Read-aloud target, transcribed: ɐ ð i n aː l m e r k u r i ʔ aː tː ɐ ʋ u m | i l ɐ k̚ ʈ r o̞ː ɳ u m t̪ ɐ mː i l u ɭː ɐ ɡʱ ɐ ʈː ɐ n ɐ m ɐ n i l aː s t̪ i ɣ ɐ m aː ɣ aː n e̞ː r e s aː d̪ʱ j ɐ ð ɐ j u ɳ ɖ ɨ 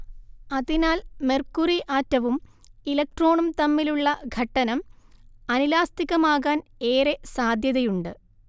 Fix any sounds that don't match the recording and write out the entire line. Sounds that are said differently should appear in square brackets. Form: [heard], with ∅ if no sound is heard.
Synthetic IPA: ɐ ð i n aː l m e r k u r i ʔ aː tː ɐ ʋ u m | i l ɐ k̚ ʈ r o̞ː ɳ u m t̪ ɐ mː i l u ɭː ɐ ɡʱ ɐ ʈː ɐ n ɐ m ɐ n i l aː s t̪ i ɣ ɐ m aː ɣ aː n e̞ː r e s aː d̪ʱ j ɐ ð ɐ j u ɳ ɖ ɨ